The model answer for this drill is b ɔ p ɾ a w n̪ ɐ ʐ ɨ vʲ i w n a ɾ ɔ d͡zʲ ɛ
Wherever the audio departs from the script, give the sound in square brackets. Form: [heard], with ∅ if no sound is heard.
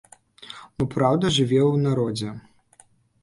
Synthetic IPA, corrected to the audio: b ɔ p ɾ a w [d̪] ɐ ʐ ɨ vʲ [ɛ] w n a ɾ ɔ d͡zʲ ɛ